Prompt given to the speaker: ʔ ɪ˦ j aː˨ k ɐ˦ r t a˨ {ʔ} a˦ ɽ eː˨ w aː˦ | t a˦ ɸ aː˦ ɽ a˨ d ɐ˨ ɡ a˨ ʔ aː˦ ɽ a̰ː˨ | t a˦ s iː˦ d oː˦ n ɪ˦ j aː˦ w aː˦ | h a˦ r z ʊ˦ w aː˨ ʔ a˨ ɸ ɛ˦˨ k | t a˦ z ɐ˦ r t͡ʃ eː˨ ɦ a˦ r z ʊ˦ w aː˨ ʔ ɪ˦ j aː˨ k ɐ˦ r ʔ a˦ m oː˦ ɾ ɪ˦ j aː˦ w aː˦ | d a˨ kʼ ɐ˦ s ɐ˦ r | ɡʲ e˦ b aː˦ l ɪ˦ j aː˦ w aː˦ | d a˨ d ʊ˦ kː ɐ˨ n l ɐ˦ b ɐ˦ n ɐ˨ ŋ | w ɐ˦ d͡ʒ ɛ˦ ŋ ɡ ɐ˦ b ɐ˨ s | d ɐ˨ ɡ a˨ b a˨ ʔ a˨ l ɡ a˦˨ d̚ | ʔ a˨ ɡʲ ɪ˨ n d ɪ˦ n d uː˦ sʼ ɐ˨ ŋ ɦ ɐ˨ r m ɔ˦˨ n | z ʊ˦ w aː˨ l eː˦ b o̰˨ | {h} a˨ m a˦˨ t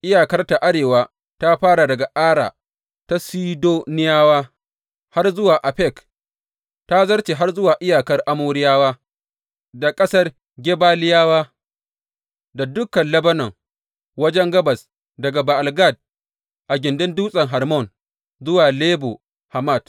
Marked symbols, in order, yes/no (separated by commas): yes, yes